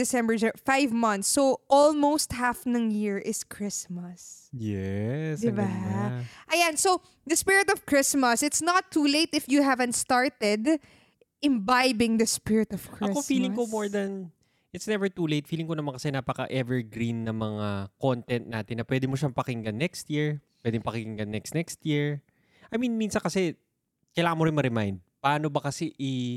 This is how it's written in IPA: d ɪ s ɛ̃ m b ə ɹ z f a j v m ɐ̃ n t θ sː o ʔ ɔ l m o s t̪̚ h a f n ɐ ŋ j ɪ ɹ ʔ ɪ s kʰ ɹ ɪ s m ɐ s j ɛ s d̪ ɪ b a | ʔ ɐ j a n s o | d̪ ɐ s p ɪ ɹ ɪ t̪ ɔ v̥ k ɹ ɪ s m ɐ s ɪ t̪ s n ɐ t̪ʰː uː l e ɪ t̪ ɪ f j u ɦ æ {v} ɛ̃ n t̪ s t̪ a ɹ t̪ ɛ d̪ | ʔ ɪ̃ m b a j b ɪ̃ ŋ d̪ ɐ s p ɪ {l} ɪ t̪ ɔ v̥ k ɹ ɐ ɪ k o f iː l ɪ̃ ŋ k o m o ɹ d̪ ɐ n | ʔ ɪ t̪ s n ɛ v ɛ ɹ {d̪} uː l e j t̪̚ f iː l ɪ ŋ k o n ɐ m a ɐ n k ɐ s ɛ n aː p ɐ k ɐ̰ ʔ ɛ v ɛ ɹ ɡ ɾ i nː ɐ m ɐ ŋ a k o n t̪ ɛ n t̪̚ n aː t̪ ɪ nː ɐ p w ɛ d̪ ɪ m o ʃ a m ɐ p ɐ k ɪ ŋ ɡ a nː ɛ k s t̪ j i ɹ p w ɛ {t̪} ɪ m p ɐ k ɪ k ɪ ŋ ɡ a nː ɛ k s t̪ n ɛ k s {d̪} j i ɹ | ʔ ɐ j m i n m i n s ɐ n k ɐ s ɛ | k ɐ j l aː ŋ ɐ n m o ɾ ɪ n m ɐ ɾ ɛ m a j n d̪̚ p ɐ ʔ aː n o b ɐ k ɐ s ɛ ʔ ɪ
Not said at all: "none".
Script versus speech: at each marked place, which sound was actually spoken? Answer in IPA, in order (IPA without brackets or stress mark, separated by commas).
v, ɹ, t̪, d̪, t̪